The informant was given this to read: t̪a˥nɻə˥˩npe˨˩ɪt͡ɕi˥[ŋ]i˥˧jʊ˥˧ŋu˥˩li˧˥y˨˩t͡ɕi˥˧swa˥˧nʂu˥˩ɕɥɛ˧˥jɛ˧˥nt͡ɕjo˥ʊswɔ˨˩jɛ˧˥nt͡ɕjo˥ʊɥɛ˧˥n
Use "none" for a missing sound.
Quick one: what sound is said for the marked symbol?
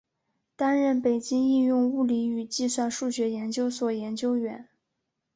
ŋ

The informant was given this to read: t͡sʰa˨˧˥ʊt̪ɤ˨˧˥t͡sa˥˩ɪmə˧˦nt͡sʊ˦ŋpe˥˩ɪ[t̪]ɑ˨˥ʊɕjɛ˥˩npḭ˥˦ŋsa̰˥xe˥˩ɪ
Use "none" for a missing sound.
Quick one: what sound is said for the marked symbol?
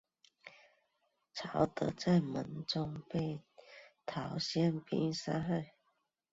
t̪ʰ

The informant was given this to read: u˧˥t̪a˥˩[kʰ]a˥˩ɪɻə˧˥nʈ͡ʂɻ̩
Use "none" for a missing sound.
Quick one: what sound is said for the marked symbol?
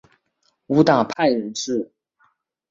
pʰ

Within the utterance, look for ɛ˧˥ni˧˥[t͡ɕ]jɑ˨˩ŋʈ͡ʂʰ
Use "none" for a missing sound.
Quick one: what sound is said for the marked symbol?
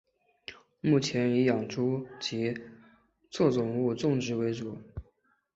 none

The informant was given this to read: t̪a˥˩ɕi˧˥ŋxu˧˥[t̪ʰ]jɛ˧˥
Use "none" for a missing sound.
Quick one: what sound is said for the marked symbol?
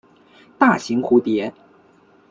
t̪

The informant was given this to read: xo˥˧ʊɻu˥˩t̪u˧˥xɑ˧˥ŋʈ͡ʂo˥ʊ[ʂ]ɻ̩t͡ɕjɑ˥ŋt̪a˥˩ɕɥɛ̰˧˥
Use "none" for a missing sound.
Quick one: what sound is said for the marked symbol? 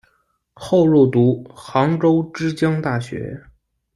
ʈ͡ʂ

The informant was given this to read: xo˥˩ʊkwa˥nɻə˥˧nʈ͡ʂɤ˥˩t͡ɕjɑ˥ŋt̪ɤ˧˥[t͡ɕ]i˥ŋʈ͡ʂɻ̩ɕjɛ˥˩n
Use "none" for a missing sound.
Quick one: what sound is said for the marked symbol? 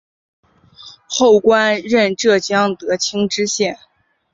t͡ɕʰ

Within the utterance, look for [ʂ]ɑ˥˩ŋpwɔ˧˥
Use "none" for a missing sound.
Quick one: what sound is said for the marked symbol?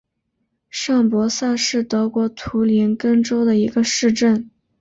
ʂ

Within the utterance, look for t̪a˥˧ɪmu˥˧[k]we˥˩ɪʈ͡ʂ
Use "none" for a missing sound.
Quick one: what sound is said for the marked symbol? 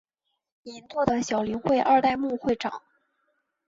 x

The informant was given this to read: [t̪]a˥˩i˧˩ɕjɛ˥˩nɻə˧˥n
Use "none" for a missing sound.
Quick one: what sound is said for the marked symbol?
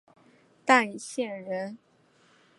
t̪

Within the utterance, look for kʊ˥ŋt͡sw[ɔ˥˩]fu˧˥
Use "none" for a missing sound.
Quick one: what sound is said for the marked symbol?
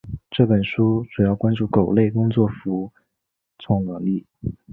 ɔ˥˩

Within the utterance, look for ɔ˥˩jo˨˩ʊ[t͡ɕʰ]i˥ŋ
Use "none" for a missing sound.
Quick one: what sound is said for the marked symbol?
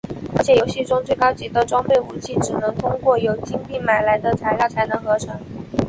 t͡ɕ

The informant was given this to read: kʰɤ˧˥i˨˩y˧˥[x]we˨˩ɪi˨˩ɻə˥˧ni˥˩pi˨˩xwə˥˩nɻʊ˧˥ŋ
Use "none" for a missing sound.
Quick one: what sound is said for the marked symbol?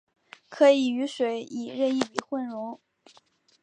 ʂ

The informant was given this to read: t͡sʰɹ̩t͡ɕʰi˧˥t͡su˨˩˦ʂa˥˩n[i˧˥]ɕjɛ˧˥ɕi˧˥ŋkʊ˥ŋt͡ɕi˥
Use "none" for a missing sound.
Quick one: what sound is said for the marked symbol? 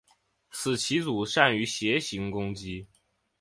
y˧˥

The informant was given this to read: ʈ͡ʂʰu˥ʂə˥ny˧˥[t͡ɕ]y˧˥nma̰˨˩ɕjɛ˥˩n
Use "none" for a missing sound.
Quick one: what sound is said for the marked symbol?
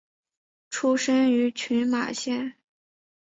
t͡ɕʰ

